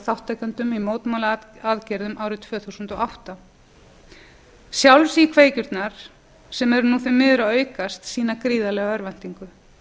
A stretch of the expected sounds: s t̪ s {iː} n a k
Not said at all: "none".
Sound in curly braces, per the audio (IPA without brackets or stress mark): iː